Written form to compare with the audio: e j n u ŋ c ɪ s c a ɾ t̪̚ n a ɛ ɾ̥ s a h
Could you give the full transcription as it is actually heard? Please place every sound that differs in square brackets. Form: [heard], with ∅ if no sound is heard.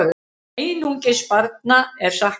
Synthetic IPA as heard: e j n u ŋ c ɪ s [p] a ɾ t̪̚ n a ɛ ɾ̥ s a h